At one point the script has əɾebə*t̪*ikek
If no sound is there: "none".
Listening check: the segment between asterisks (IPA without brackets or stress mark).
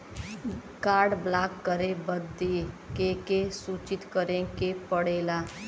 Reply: d̪